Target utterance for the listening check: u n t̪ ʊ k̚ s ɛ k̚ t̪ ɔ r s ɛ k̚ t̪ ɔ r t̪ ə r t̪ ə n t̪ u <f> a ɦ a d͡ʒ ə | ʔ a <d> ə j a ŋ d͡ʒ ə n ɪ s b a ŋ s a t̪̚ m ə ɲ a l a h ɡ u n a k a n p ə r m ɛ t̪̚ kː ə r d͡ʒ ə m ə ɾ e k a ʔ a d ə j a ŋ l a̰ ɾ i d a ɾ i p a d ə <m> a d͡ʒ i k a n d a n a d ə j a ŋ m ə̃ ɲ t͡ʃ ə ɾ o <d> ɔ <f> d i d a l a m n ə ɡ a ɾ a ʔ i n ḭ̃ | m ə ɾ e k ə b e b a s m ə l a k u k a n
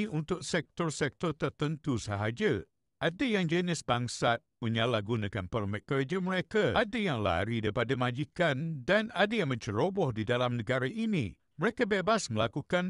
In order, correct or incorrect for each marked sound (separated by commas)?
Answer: incorrect, correct, correct, incorrect, incorrect